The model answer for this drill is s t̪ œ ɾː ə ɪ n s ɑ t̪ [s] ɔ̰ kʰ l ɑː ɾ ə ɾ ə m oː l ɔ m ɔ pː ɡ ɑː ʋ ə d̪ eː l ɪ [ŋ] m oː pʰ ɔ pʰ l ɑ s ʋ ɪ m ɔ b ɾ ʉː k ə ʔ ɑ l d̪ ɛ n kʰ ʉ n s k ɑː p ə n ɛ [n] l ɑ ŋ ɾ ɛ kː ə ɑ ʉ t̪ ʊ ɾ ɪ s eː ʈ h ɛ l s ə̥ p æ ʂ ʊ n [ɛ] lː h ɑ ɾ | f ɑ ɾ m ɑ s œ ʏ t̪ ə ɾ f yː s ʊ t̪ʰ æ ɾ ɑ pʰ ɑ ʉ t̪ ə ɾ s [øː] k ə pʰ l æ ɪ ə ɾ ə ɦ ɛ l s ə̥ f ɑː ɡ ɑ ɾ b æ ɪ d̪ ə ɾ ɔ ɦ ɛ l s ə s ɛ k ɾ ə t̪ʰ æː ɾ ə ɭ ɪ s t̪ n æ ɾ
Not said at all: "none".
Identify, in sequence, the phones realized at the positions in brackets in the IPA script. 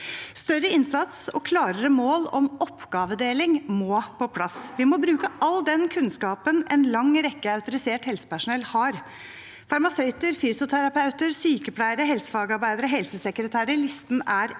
s, ŋ, n, ɛ, yː

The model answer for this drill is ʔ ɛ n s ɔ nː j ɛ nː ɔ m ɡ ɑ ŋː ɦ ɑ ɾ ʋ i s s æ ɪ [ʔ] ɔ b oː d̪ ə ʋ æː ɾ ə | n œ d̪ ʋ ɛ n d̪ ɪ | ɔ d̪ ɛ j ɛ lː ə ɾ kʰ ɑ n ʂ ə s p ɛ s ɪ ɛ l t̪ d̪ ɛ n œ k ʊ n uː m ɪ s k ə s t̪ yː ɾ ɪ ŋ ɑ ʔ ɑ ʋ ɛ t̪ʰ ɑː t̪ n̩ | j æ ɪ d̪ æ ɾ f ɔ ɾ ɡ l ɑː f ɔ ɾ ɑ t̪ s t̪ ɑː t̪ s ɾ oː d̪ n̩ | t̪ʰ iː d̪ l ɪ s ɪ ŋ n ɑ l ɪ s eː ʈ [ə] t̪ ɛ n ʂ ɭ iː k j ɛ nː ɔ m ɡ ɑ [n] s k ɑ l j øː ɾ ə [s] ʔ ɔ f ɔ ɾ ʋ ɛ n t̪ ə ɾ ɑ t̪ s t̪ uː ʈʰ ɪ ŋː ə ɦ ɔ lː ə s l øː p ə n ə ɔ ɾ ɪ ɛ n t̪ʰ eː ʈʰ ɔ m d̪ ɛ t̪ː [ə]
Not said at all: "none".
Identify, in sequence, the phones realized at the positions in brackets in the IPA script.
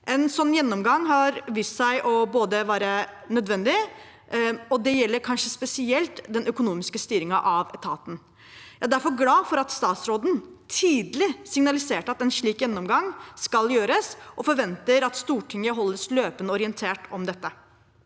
ʔ, ɑ, ŋ, s, ə

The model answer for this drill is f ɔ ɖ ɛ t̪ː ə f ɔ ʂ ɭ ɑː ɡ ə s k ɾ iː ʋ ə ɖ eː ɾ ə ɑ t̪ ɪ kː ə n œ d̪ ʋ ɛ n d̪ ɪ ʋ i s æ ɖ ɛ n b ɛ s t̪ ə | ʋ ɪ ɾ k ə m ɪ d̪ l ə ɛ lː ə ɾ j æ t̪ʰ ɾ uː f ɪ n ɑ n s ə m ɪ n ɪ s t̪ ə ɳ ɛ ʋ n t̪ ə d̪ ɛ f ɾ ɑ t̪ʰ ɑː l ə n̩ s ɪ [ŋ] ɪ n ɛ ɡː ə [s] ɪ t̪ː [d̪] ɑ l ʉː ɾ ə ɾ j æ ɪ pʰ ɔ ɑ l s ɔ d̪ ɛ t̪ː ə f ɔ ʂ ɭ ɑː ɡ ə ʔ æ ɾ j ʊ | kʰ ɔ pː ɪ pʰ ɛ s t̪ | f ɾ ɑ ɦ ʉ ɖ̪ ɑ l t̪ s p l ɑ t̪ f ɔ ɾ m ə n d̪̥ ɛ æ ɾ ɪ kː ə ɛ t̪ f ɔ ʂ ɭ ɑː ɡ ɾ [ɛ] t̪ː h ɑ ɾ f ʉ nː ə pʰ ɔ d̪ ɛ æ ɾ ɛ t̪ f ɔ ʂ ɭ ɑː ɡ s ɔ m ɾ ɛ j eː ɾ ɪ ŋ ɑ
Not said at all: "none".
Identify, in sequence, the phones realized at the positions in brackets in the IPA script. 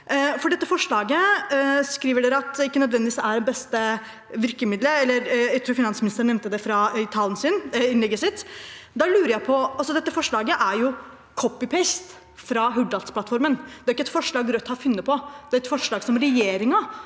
n, s, d̪, œ

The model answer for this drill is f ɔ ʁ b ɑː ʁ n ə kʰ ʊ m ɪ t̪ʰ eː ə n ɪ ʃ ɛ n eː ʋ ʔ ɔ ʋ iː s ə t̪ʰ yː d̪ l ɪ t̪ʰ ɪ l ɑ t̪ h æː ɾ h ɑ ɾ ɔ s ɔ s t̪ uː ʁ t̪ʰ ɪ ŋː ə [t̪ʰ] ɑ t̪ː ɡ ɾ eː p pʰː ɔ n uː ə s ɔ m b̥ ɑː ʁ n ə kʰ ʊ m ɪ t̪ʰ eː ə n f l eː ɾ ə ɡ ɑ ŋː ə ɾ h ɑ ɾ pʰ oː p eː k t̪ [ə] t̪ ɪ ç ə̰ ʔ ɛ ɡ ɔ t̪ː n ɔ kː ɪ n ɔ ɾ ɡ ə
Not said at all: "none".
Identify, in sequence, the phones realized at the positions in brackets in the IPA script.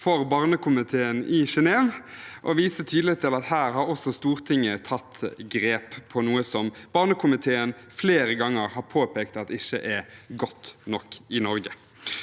t̪ʰ, ɑ

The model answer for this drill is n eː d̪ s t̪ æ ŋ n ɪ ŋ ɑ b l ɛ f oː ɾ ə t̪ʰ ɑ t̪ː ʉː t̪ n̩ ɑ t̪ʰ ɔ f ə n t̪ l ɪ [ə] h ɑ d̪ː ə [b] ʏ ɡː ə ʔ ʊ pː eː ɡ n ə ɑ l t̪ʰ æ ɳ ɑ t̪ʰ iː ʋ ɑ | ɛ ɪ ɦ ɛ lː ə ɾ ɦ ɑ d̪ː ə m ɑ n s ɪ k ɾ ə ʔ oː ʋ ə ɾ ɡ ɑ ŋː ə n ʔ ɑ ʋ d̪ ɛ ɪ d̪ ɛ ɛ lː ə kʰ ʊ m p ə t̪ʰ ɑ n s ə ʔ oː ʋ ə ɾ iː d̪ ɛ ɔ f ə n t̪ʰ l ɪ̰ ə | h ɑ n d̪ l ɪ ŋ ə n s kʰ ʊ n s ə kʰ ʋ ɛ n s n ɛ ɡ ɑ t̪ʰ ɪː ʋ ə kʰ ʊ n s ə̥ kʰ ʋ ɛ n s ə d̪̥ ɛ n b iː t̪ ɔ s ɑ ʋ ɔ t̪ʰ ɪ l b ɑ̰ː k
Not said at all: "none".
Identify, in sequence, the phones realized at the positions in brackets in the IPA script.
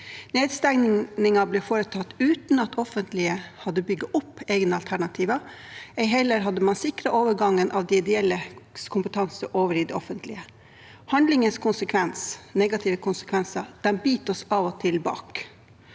ə, b

